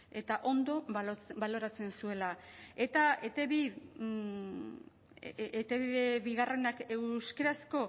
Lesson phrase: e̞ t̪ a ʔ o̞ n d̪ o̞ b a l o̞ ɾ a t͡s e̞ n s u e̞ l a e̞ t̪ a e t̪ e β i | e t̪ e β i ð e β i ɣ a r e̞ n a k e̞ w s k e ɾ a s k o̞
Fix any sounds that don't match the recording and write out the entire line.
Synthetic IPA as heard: e̞ t̪ a ʔ o̞ n d̪ o̞ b a l o̞ ɾ a t͡s e̞ n s u e̞ l a e̞ t̪ a e t̪ e β i | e t̪ e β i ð e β i ɣ a r e̞ n a k e̞ w s k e ɾ a s k o̞